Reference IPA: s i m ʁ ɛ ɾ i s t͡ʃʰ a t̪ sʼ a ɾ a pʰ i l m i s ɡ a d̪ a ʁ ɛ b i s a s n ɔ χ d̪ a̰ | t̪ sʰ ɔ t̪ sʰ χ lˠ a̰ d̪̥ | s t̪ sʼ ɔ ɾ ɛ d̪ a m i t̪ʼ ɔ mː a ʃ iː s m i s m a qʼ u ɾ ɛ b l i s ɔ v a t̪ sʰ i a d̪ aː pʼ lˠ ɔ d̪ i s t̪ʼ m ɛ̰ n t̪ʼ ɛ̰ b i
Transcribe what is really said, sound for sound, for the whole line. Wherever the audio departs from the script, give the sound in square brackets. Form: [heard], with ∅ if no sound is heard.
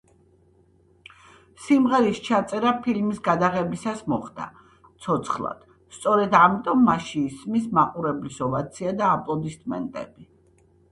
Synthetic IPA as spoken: s i m ʁ ɛ ɾ i s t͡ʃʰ a t̪ sʼ [ɛ] ɾ a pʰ i l m i s ɡ a d̪ a ʁ ɛ b i s a s [m] ɔ χ d̪ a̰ | t̪ sʰ ɔ t̪ sʰ χ lˠ a̰ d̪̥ | s t̪ sʼ ɔ ɾ ɛ d̪ a m i t̪ʼ ɔ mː a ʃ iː s m i s m a qʼ u ɾ ɛ b l i s ɔ v a t̪ sʰ i a d̪ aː pʼ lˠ ɔ d̪ i s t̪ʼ m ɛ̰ n t̪ʼ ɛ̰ b i

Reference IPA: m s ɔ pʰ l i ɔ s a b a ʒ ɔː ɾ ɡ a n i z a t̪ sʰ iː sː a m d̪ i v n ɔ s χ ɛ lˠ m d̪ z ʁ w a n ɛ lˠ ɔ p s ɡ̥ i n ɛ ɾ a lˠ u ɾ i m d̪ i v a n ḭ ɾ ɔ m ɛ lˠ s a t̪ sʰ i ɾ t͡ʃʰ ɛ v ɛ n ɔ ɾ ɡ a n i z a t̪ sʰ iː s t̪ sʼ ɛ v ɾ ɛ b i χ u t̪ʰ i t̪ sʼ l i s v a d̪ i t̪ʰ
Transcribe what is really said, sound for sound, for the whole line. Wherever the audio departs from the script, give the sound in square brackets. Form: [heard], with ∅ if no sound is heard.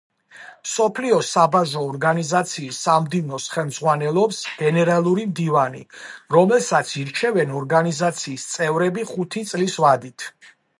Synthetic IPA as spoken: m s ɔ pʰ l i ɔ s a b a ʒ ɔː ɾ ɡ a n i z a t̪ sʰ iː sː a m d̪ i v n ɔ s χ ɛ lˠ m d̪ z ʁ w a n ɛ lˠ ɔ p s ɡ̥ [ɛ] n ɛ ɾ a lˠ u ɾ i m d̪ i v a n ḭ ɾ ɔ m ɛ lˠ s a t̪ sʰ i ɾ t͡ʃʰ ɛ v ɛ n ɔ ɾ ɡ a n i z a t̪ sʰ iː s t̪ sʼ ɛ v ɾ ɛ b i χ u t̪ʰ i t̪ sʼ l i s v a d̪ i t̪ʰ

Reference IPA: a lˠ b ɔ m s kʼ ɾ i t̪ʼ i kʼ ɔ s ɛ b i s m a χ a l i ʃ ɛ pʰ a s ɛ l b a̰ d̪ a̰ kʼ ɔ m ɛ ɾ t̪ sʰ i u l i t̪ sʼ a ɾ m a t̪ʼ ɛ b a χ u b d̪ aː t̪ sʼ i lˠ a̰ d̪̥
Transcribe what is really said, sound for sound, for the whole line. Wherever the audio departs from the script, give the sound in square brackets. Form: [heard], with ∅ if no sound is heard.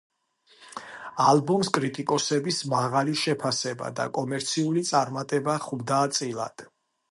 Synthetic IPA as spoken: a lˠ b ɔ m s kʼ ɾ i t̪ʼ i kʼ ɔ s ɛ b i s m a [ʁ] a l i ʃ ɛ pʰ a s ɛ [∅] b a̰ d̪ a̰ kʼ ɔ m ɛ ɾ t̪ sʰ i u l i t̪ sʼ a ɾ m a t̪ʼ ɛ b a χ u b d̪ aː t̪ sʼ i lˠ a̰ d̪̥

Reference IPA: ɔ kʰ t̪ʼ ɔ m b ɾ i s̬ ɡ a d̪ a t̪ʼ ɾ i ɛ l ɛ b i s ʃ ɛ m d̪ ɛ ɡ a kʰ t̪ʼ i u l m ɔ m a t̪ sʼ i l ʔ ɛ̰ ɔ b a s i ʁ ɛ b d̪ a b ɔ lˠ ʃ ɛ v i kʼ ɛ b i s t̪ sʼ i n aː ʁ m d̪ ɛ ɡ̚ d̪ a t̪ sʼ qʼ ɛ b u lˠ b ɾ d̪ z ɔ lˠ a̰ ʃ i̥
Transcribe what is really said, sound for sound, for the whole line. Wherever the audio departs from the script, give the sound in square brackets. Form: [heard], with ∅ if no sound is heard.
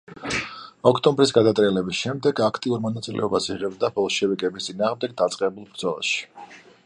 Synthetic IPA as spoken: ɔ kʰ t̪ʼ ɔ m b ɾ i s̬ ɡ a d̪ a t̪ʼ ɾ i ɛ l ɛ b i s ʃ ɛ m d̪ ɛ ɡ a kʰ t̪ʼ i u [ɾ] m ɔ [n] a t̪ sʼ i l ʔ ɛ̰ ɔ b a s i ʁ ɛ b d̪ a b ɔ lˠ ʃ ɛ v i kʼ ɛ b i s t̪ sʼ i n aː ʁ m d̪ ɛ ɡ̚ d̪ a t̪ sʼ qʼ ɛ b u lˠ b ɾ d̪ z ɔ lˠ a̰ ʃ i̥

